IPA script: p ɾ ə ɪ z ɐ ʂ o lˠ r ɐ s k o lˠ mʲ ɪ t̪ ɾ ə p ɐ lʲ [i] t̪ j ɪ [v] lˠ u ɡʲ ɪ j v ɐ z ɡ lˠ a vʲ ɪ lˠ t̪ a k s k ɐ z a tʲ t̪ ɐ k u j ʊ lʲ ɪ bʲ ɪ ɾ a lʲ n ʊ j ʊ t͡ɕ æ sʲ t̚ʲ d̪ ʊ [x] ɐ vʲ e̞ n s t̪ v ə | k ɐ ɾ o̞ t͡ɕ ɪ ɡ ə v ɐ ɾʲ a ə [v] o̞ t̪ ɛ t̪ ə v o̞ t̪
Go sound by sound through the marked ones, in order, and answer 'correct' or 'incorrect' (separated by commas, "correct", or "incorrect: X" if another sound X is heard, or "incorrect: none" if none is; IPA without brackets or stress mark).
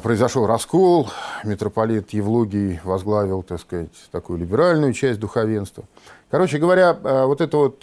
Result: correct, correct, correct, correct